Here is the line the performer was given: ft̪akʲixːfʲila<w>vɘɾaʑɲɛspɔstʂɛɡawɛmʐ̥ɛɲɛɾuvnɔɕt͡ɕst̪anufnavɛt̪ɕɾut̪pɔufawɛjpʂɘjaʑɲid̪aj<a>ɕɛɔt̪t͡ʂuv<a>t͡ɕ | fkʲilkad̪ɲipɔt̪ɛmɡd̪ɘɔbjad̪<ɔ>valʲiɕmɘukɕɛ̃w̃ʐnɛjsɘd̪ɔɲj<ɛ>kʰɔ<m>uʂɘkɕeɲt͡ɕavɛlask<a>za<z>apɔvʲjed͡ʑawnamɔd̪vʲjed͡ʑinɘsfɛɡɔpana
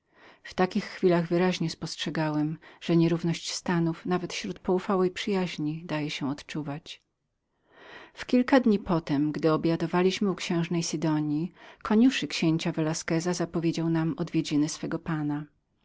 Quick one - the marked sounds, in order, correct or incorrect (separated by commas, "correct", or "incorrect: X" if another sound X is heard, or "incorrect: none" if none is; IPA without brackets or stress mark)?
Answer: incorrect: ɣ, incorrect: ɛ, correct, correct, incorrect: i, incorrect: ɲ, incorrect: ɛ, correct